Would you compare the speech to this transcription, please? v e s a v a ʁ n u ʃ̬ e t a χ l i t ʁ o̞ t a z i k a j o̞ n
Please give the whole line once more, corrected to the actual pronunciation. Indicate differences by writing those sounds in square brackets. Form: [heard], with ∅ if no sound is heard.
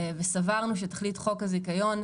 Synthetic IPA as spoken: v e s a v a ʁ n u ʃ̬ e t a χ l i t [χ] o̞ [k] a z i k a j o̞ n